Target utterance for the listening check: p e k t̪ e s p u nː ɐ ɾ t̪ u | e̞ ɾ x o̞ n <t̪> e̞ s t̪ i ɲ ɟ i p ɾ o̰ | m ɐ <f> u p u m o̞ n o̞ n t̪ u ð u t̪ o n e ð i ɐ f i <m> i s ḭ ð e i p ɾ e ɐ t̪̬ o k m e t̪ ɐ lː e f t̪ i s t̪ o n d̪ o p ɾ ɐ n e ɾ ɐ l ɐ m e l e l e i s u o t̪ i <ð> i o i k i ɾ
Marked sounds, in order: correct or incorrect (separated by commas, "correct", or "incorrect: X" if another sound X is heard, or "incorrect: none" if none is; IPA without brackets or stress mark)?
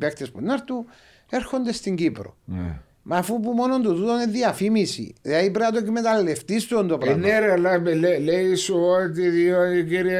incorrect: d̪, correct, correct, correct